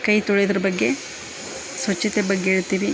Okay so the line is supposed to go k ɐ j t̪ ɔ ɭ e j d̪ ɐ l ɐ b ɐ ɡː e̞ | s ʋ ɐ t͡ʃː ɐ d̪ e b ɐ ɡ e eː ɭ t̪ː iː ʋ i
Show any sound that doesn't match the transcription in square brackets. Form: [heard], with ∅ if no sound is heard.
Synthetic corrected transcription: k ɐ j t̪ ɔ ɭ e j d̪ ɐ [ɾ] ɐ b ɐ ɡː e̞ | s ʋ ɐ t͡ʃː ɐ [t̪] e b ɐ [ɡː] e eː ɭ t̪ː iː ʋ i